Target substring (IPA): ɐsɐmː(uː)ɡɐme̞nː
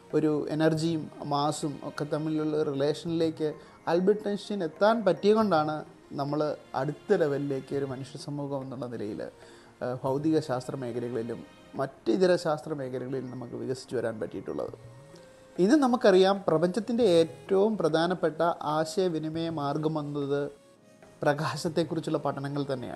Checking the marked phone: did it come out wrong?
no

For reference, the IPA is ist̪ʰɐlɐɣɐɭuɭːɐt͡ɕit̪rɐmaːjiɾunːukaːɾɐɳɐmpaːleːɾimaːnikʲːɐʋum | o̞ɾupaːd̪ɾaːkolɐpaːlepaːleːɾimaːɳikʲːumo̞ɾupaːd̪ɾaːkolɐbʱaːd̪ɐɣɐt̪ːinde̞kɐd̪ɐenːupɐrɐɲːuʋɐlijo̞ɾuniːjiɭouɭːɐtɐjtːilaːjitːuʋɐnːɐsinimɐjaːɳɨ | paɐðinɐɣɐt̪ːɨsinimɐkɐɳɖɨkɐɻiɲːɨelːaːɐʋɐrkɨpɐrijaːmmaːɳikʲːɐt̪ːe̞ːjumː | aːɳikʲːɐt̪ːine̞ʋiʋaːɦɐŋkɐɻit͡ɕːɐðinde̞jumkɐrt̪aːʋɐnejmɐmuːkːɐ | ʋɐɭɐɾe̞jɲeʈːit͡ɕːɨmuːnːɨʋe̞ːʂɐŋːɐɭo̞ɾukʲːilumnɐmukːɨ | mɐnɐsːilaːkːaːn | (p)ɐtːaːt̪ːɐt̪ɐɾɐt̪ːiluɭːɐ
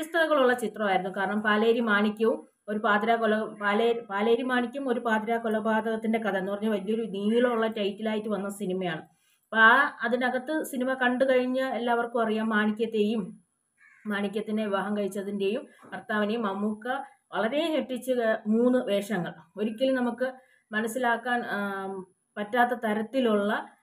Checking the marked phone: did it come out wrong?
no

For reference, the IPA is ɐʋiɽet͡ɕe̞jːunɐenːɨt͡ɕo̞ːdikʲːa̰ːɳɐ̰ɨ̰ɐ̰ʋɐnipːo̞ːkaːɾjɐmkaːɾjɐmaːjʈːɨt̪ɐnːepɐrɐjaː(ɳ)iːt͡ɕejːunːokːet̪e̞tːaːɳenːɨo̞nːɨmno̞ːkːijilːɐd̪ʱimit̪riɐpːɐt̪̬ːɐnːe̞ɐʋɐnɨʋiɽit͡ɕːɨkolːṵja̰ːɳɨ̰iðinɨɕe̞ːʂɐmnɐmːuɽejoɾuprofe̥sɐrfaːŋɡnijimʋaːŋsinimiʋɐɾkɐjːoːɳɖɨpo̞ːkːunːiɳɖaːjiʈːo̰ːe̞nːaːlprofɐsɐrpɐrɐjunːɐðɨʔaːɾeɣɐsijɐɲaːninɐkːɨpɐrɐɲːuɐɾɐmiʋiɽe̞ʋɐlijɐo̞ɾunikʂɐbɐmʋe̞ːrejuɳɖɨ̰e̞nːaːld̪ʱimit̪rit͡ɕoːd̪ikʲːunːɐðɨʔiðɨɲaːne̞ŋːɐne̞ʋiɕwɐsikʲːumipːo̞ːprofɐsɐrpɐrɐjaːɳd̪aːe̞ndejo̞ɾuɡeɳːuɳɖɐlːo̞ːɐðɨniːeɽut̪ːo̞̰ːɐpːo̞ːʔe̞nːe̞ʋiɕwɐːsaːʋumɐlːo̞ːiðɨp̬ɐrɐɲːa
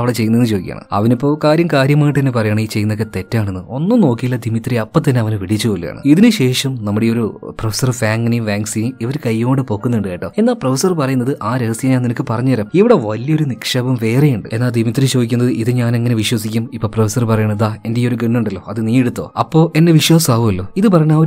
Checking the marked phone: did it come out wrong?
no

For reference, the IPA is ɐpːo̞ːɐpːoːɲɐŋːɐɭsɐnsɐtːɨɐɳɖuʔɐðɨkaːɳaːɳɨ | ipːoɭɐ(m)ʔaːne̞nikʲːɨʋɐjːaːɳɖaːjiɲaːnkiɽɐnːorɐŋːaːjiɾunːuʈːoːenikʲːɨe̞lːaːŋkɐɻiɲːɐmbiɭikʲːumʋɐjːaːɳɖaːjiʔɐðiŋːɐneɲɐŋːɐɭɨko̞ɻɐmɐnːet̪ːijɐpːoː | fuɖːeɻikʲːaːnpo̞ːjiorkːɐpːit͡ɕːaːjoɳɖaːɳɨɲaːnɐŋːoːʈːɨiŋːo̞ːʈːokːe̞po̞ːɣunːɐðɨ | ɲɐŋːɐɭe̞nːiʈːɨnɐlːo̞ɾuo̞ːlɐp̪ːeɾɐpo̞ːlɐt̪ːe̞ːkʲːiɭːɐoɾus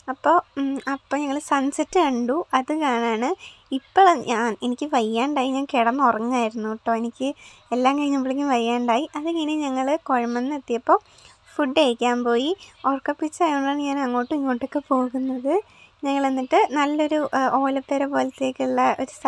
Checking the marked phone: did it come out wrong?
yes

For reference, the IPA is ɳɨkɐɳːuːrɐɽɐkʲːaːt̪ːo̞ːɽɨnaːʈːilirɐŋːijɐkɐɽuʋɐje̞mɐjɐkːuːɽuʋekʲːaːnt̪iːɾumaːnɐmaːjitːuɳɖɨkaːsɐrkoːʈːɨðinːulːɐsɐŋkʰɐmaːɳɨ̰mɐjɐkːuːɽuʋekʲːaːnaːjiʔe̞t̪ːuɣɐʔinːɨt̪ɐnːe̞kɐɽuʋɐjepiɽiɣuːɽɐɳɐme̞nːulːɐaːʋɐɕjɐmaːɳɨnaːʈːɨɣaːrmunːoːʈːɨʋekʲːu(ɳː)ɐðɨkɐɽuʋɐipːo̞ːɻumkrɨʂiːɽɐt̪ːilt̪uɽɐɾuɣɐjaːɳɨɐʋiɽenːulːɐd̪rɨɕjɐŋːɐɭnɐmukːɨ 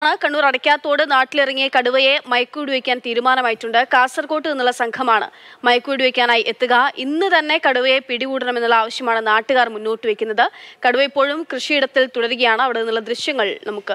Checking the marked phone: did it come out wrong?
yes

